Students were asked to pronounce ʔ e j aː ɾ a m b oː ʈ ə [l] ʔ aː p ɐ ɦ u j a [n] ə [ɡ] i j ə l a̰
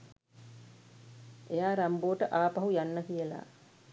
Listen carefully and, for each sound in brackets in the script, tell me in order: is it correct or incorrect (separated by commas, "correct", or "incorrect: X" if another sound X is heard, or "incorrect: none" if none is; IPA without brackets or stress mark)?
incorrect: none, incorrect: nː, incorrect: k